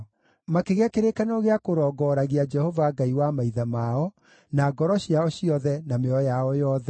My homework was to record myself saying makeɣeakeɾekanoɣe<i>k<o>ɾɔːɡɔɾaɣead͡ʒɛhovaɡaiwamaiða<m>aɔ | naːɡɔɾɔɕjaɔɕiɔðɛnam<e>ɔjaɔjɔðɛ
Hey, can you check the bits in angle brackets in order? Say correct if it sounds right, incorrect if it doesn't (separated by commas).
incorrect, correct, correct, correct